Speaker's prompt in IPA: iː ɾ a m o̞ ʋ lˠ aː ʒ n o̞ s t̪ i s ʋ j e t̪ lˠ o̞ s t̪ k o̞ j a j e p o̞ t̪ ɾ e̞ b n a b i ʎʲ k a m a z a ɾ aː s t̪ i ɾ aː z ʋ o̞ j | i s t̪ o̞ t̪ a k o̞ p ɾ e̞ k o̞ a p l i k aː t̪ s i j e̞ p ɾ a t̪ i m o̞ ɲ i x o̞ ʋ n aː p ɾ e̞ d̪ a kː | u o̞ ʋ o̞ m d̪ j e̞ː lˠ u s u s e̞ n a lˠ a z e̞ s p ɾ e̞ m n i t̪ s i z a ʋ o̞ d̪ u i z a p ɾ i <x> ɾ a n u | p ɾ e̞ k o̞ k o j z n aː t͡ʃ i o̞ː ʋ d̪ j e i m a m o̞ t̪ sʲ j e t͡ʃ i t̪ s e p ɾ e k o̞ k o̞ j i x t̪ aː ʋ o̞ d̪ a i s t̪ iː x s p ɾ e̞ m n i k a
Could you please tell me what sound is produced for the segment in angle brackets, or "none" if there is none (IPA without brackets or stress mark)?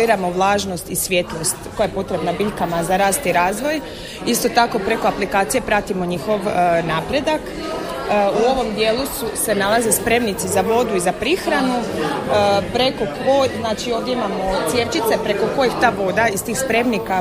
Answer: x